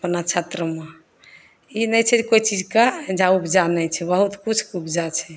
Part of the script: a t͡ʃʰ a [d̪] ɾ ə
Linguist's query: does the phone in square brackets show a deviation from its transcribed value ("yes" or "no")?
yes